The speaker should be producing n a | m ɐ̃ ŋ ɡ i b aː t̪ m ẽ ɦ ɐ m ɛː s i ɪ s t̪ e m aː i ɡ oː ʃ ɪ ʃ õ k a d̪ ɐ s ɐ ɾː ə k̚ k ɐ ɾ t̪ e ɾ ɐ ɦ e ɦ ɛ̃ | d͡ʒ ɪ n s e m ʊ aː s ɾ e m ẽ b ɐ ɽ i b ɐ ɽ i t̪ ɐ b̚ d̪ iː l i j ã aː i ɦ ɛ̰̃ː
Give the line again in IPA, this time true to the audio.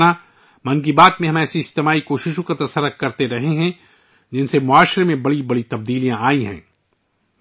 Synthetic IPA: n a | m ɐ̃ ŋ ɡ i b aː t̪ m ẽ ɦ ɐ m ɛː s i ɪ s t̪ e m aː i k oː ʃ ɪ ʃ õ k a t̪ ɐ s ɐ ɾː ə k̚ k ɐ ɾ t̪ e ɾ ɐ ɦ e ɦ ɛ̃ | d͡ʒ ɪ n s e m ʊ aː ʃ ɾ e m ẽ b ɐ ɽ i b ɐ ɽ i t̪ ɐ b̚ d̪ iː l i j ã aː i ɦ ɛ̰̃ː